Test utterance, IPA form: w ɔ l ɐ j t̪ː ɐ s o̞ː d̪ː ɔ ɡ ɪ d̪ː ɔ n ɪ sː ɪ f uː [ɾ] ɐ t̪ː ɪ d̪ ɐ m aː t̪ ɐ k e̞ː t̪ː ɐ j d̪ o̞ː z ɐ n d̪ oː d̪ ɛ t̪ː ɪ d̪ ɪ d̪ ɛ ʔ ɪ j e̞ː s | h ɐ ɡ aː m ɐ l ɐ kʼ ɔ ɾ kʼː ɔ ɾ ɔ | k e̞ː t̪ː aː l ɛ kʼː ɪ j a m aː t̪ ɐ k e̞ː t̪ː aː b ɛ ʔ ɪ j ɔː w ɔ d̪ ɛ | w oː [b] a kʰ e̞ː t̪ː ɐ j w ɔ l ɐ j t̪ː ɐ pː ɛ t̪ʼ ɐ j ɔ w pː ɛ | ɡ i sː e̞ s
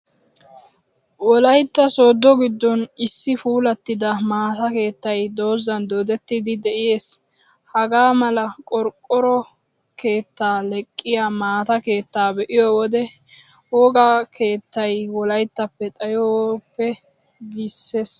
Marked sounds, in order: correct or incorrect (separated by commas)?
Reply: incorrect, incorrect